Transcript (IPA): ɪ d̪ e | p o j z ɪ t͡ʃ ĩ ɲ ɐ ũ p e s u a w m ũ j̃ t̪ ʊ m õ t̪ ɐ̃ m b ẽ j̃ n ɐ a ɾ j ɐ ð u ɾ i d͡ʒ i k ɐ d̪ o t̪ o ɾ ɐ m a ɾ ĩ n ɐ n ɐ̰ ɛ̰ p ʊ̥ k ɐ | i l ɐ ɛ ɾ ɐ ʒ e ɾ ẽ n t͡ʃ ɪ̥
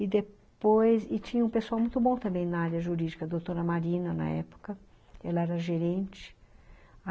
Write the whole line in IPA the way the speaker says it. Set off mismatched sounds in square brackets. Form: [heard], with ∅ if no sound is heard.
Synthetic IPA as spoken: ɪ d̪ e | p o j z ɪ t͡ʃ ĩ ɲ ɐ ũ p e s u a w m ũ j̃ t̪ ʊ [b] õ t̪ ɐ̃ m b ẽ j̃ n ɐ a ɾ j ɐ [ʒ] u ɾ i d͡ʒ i k ɐ d̪ o t̪ o ɾ ɐ m a ɾ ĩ n ɐ n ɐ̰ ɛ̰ p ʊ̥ k ɐ | [ɛ] l ɐ ɛ ɾ ɐ ʒ e ɾ ẽ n t͡ʃ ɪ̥